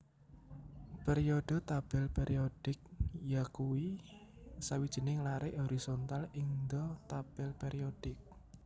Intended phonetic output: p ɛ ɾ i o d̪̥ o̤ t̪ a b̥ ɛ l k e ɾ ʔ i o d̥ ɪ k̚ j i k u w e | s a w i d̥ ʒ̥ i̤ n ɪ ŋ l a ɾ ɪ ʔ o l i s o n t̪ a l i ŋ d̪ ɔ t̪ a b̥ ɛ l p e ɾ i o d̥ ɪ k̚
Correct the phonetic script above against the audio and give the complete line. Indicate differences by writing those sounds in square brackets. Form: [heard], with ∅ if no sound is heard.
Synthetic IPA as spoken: p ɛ ɾ i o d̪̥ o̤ t̪ a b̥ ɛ l [p] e ɾ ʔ i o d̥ ɪ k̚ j [a] k u w [i] | s a w i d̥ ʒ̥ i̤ n ɪ ŋ l a ɾ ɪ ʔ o [ɾ] i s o n t̪ a l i ŋ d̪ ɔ t̪ a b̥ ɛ l p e ɾ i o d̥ ɪ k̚